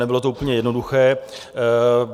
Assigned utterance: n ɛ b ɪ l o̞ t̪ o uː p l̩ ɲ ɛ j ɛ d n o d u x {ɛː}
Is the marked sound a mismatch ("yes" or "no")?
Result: no